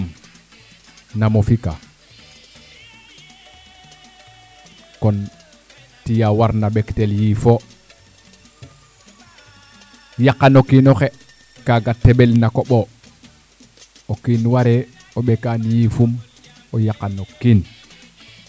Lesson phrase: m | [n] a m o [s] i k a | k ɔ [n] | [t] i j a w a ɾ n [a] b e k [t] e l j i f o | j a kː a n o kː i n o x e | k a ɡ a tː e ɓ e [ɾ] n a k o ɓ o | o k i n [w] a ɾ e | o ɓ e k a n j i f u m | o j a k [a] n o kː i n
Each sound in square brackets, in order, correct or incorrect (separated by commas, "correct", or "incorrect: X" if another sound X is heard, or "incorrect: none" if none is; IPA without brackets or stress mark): correct, incorrect: f, correct, correct, correct, correct, incorrect: l, correct, correct